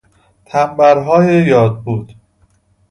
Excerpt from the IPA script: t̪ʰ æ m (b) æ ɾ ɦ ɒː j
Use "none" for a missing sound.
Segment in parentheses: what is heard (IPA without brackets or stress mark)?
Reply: b